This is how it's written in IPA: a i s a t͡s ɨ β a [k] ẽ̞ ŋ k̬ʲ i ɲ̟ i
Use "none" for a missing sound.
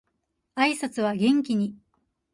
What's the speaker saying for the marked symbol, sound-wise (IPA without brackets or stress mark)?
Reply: ɡ